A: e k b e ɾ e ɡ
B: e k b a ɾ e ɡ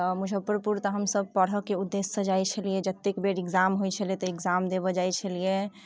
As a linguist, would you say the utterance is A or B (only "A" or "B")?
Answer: A